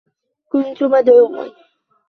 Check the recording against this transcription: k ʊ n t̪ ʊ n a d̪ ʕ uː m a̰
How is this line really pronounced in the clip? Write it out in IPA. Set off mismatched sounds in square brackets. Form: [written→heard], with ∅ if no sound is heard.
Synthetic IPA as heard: k ʊ n t̪ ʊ [n→m] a d̪ ʕ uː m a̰